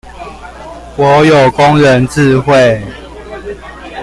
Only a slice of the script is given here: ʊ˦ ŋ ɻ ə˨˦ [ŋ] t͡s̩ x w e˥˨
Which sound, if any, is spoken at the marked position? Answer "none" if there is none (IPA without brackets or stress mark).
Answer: n